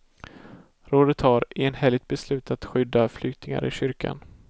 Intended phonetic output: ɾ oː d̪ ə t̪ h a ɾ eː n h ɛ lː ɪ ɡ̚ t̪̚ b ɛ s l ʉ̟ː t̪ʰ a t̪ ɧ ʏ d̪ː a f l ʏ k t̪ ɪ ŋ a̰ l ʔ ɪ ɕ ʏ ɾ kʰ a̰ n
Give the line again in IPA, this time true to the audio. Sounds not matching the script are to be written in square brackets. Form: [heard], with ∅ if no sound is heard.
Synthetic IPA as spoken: ɾ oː d̪ ə t̪ h a ɾ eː n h ɛ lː ɪ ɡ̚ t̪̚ b ɛ s l ʉ̟ː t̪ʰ a t̪ ɧ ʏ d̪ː a f l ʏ k t̪ ɪ ŋ a̰ [ɾ] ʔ ɪ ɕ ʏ ɾ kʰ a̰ n